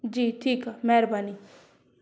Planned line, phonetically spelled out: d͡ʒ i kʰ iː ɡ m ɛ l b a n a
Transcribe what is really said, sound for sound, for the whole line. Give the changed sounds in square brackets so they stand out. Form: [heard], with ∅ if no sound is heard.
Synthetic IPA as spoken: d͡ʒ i [ʈʰ] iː [k] m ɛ [ɾ] b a n [i]